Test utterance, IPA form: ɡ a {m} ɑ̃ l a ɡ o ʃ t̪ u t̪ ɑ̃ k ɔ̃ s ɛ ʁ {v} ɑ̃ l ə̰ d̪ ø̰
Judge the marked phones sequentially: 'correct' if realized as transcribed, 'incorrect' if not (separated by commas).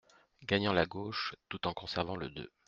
incorrect, correct